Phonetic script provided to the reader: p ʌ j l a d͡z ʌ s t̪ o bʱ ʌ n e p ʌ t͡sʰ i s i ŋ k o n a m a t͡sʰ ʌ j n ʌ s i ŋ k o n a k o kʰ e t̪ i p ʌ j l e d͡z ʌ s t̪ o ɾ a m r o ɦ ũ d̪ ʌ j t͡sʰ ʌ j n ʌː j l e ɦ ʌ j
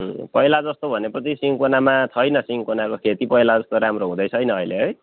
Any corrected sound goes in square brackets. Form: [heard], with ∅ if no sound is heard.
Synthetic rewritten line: p ʌ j l a d͡z ʌ s t̪ o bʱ ʌ n e p ʌ t͡sʰ i s i ŋ k o n a m a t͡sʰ ʌ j n ʌ s i ŋ k o n a k o kʰ e t̪ i p ʌ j l [a] d͡z ʌ s t̪ o ɾ a m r o ɦ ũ d̪ ʌ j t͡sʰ ʌ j n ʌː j l e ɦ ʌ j